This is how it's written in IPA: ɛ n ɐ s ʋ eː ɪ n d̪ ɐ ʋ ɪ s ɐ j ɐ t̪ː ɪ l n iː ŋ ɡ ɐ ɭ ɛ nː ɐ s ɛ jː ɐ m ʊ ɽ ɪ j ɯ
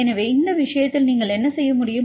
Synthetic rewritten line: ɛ n ɐ ʋ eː ɪ n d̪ ɐ ʋ ɪ ʂ ɐ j ɐ t̪ː ɪ l n iː ŋ ɡ ɐ ɭ ɛ nː ɐ s ɛ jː ɐ m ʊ ɽ ɪ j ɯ